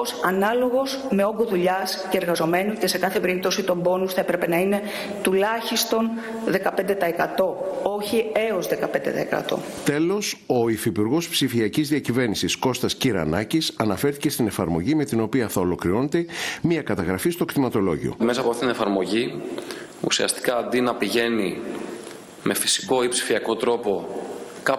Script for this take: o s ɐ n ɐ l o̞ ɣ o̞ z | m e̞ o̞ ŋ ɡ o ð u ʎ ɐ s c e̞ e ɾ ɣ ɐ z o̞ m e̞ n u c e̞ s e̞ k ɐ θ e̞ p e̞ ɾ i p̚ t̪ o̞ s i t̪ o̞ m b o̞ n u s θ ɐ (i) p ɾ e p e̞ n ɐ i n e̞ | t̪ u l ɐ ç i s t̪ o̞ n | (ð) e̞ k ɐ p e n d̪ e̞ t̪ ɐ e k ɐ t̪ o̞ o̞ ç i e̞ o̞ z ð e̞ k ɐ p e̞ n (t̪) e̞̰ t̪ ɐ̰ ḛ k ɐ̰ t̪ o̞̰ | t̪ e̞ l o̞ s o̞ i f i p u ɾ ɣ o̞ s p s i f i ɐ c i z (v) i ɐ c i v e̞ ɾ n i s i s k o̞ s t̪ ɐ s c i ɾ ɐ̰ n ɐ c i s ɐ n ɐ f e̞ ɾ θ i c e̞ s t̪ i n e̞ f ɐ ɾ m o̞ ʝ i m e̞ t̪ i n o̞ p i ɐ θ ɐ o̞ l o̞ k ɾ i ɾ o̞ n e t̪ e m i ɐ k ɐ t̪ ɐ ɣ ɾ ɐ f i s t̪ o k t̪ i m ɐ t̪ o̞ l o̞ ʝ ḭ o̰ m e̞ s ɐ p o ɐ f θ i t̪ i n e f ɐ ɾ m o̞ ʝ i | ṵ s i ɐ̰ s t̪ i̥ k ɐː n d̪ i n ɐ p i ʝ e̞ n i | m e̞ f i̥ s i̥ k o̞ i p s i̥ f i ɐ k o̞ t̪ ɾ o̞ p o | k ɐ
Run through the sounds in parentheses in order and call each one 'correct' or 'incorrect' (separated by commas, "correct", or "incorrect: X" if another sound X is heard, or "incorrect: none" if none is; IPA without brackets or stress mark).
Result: incorrect: e, correct, incorrect: d̪, incorrect: ð